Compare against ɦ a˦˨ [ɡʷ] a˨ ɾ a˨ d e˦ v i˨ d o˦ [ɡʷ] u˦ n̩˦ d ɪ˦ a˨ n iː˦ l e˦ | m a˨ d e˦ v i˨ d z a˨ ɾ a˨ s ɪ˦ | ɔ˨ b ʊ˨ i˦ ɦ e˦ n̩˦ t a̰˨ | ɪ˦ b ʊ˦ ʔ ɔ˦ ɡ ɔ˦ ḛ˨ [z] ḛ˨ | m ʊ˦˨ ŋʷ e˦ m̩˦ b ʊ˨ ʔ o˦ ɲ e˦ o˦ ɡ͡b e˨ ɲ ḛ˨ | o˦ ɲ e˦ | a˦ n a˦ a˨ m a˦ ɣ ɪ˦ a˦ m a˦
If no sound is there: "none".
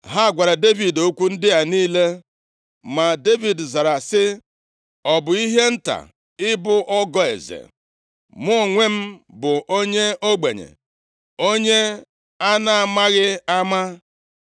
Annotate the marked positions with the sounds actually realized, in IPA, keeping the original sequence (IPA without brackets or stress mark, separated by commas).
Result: ɡʷ, kʷ, z